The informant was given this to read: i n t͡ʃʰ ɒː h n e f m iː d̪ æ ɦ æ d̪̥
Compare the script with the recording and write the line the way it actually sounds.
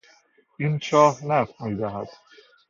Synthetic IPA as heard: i n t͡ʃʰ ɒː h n æ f m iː d̪ æ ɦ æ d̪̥